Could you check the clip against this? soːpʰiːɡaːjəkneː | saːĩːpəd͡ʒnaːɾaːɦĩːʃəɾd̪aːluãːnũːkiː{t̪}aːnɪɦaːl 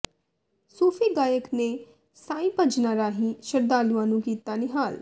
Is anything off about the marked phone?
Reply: no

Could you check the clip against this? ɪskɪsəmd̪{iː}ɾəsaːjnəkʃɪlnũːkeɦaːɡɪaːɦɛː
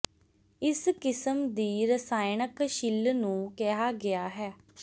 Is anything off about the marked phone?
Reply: no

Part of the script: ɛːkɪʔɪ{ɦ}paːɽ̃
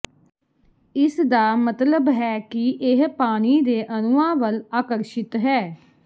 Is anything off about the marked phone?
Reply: no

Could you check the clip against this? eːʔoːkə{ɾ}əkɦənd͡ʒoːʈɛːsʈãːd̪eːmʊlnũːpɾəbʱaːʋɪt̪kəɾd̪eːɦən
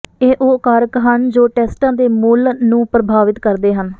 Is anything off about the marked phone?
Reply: no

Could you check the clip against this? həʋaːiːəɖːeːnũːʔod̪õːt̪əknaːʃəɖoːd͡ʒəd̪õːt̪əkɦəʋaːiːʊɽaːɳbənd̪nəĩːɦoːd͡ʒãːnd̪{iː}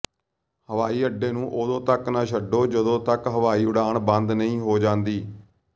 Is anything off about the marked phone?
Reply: no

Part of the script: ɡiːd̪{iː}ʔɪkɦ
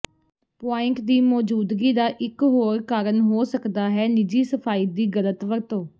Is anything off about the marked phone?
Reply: yes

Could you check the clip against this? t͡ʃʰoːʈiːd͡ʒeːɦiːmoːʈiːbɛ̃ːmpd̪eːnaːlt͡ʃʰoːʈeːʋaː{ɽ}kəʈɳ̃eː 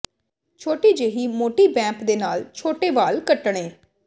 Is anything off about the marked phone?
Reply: yes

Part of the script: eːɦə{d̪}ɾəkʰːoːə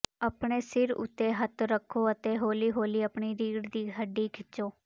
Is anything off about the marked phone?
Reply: yes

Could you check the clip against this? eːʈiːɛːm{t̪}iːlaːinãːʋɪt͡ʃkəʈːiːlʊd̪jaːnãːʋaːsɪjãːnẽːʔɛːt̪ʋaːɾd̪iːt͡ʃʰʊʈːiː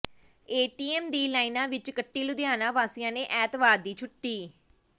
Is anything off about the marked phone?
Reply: yes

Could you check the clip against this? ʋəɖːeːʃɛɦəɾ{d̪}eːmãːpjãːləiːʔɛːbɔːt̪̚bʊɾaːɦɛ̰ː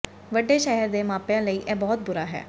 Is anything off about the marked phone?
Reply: no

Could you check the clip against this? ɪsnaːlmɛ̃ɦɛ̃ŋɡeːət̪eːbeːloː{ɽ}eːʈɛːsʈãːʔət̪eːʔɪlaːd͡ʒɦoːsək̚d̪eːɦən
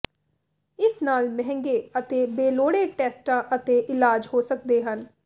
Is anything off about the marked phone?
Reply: no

